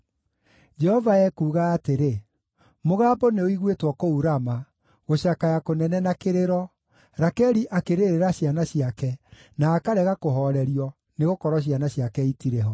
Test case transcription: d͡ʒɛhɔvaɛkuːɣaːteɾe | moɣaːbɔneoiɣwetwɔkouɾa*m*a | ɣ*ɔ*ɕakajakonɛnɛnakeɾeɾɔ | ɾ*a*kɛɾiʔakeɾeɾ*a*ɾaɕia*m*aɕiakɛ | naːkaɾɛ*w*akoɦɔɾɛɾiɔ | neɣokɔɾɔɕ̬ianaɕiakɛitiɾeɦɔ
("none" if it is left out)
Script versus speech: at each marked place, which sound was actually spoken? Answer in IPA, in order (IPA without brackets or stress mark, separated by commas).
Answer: m, o, a, e, n, ɣ